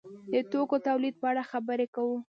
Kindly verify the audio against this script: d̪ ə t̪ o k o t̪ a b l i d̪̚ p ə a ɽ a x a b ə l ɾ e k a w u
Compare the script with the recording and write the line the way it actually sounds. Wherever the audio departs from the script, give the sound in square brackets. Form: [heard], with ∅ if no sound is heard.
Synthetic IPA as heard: d̪ ə t̪ o k o t̪ a [w] l i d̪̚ p ə a ɽ a x a b ə [∅] ɾ e k a w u